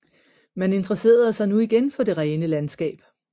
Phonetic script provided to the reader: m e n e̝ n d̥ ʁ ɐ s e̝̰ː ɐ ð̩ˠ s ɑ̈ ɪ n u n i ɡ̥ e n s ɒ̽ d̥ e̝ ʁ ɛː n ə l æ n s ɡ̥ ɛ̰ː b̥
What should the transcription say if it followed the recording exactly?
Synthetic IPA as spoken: m æ n e̝ n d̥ ʁ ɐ s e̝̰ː ɐ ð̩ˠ s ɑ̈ ɪ n u i ɡ̥ e n f ɒ̽ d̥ e̝ ʁ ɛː n ə l æ n s ɡ̥ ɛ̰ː b̥